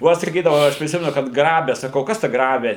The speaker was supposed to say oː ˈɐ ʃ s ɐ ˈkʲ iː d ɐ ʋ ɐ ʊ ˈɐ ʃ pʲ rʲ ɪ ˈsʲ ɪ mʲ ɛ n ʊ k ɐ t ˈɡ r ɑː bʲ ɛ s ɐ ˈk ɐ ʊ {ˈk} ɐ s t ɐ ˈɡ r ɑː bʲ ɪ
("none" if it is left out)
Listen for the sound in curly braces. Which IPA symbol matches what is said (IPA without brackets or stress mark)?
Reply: k